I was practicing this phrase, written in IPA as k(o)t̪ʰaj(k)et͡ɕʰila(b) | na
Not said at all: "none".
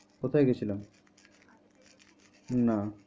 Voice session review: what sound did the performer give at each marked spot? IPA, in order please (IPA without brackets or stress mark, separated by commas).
o, ɡ, m